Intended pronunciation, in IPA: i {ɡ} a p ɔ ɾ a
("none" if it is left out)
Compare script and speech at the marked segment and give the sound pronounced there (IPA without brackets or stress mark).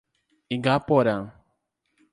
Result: ɡ